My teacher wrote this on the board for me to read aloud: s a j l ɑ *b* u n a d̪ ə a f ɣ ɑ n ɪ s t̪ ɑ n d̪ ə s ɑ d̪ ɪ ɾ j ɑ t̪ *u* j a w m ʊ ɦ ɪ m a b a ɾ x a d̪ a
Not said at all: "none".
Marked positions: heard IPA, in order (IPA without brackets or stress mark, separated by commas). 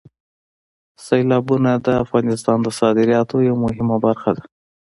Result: b, o